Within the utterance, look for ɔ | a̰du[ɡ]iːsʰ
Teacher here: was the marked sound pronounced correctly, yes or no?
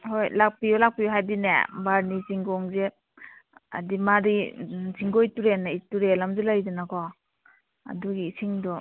yes